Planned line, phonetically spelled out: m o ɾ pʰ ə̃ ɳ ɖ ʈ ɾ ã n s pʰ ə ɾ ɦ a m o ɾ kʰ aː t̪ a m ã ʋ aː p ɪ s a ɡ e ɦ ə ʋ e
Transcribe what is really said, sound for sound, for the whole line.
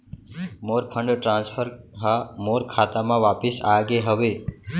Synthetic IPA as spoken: m o ɾ pʰ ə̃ ɳ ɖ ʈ ɾ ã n s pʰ ə ɾ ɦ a m o ɾ kʰ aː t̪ a m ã ʋ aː p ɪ s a ɡ e ɦ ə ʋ e